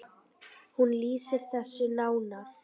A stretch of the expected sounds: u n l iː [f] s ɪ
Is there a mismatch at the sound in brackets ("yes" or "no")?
yes